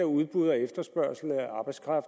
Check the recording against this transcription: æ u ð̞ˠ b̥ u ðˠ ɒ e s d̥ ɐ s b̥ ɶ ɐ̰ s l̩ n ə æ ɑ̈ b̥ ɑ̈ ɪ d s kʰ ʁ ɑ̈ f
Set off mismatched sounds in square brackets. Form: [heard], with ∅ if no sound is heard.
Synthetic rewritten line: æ u ð̞ˠ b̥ u ðˠ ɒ e [f] d̥ ɐ s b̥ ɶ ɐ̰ s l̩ n ə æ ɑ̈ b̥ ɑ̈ ɪ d s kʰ ʁ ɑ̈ f